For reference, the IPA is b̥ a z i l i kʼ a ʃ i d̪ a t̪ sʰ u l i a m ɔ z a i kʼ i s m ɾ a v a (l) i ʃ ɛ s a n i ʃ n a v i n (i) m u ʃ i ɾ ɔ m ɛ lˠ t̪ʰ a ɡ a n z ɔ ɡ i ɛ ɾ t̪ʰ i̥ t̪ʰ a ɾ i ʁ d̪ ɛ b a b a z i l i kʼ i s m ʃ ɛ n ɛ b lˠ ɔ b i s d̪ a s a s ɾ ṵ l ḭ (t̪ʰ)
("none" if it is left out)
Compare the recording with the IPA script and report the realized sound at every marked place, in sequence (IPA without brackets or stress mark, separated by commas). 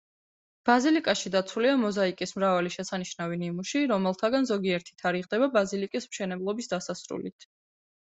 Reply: l, i, t̪ʰ